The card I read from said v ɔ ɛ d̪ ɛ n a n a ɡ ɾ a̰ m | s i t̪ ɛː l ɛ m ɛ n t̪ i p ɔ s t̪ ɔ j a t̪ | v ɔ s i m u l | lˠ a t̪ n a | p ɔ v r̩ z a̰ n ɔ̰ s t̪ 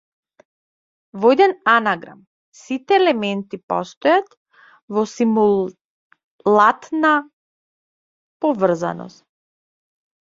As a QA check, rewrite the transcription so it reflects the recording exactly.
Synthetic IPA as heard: v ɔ ɛ d̪ ɛ n a n a ɡ ɾ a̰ m | s i t̪ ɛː l ɛ m ɛ n t̪ i p ɔ s t̪ ɔ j a t̪ | v ɔ s i m u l | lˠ a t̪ n a | p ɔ v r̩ z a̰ n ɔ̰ s t̪